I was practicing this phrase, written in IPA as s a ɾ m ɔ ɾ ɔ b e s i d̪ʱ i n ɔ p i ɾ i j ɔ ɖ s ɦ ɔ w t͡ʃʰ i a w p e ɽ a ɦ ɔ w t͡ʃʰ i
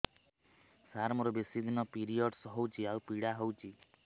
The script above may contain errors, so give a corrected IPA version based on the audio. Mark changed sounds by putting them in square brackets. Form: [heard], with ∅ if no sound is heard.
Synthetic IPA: s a ɾ m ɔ ɾ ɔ b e s i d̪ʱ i n ɔ p i ɾ i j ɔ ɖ s ɦ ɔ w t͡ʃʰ i a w p [i] ɽ a ɦ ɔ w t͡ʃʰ i